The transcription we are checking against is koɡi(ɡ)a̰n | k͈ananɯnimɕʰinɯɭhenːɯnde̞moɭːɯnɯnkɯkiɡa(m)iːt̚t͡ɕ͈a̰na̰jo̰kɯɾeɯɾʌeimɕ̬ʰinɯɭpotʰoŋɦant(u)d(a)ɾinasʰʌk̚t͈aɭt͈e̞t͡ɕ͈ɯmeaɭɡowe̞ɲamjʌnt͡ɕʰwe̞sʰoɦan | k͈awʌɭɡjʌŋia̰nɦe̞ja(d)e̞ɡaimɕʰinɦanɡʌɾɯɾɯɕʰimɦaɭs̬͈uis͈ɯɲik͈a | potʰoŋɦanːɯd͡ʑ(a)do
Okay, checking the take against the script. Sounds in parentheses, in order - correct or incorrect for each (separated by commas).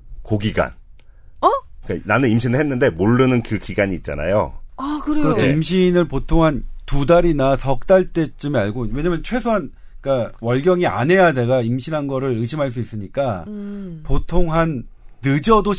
correct, incorrect, correct, correct, correct, incorrect